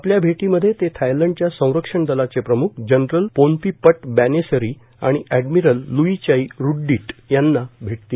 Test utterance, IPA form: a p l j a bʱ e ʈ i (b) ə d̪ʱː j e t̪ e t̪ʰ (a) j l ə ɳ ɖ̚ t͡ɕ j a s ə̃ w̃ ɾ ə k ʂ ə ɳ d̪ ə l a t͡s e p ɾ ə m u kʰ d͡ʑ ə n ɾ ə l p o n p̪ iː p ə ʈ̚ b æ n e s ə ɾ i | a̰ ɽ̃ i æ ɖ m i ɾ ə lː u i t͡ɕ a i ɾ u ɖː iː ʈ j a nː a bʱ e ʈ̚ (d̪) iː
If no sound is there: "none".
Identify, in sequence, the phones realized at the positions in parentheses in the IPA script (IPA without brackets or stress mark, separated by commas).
m, a, t̪